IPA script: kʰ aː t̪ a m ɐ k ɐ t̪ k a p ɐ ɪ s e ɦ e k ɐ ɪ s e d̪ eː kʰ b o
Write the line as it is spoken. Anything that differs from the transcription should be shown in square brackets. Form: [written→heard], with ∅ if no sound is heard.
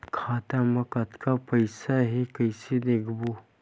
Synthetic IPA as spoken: kʰ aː t̪ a m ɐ k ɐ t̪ k a p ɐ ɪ s [e→a] ɦ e k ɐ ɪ s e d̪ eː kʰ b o